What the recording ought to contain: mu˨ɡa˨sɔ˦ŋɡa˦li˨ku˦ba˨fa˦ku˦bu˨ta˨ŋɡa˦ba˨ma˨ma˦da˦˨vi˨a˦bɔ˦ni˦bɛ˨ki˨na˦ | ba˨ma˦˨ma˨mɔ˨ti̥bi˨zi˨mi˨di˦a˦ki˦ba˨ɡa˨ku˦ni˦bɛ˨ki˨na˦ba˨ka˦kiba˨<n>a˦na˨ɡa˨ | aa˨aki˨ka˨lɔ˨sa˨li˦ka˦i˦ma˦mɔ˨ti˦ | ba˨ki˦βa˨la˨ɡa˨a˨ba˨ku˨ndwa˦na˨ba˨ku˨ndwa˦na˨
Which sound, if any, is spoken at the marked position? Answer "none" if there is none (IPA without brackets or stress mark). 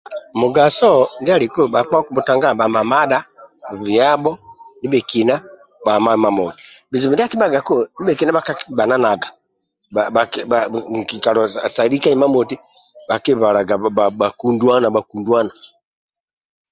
n